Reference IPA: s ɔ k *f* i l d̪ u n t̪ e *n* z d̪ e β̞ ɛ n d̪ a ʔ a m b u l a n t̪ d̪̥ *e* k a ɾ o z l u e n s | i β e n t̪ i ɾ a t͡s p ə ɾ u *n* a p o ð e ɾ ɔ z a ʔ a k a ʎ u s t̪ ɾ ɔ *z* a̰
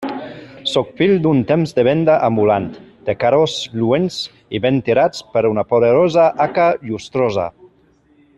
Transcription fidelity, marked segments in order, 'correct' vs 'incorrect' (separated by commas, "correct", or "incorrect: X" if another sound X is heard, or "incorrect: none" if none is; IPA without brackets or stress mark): correct, incorrect: m, correct, correct, correct